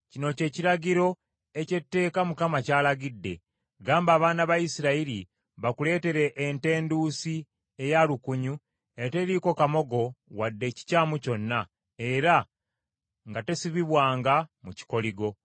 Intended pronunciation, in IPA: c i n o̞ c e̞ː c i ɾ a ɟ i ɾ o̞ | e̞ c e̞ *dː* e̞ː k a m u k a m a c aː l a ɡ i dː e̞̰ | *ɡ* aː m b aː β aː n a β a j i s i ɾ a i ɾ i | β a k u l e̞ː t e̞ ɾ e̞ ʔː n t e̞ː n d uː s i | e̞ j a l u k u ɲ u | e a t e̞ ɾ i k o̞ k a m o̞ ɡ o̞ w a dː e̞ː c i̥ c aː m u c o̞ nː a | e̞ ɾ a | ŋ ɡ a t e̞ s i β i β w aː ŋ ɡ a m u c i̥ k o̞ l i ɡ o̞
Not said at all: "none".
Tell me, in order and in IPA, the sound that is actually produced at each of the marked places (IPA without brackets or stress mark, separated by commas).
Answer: tː, ɡ